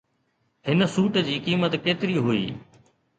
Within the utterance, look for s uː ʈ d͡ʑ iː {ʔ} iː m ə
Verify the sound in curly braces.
incorrect: k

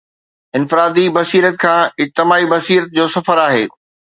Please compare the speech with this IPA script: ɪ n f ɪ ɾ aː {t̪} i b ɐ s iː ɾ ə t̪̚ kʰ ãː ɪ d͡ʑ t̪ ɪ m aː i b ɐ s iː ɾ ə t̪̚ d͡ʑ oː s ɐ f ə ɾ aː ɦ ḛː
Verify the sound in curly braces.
incorrect: d̪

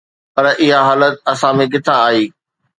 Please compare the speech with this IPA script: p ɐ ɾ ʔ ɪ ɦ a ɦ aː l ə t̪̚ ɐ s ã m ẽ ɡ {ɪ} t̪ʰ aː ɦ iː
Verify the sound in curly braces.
correct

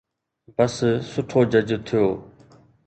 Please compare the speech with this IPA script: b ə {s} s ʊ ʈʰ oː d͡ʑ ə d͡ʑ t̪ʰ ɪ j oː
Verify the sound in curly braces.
correct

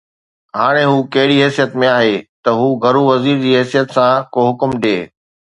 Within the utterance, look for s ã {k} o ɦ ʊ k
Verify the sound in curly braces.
correct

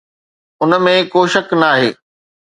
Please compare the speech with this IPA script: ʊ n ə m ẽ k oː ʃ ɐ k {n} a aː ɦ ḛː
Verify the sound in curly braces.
correct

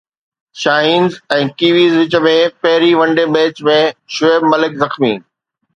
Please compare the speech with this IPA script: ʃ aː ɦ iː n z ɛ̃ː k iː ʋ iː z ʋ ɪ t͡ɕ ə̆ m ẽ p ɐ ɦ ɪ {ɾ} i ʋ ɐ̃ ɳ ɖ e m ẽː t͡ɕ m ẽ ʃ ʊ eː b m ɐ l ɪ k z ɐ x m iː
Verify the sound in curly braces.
correct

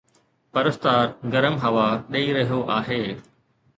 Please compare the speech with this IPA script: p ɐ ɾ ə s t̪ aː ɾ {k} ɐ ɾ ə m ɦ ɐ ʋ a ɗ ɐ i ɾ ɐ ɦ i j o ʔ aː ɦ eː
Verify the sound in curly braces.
incorrect: ɡ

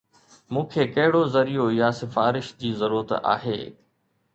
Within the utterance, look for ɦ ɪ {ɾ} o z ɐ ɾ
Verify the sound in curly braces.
incorrect: ɽ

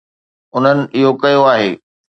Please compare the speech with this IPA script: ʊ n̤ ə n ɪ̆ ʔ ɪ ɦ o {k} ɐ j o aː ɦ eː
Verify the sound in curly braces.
correct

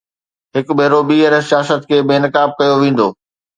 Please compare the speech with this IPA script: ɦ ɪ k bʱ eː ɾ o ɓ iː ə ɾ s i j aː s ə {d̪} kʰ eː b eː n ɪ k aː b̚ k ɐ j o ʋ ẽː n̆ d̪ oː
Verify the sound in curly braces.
incorrect: t̪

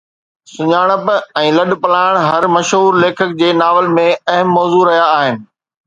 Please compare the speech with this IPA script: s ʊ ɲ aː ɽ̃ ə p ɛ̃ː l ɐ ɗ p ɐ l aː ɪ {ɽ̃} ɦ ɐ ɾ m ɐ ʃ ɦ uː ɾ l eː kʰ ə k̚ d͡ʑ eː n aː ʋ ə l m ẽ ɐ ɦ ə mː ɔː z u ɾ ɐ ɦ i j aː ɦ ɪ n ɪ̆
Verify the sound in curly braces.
correct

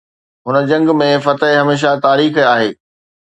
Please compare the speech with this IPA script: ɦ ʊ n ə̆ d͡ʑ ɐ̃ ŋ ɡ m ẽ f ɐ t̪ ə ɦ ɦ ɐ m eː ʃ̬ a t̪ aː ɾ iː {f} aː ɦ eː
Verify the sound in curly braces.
incorrect: x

